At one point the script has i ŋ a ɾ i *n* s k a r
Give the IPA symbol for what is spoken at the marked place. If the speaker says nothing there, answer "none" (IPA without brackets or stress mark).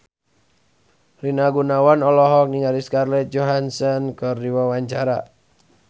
none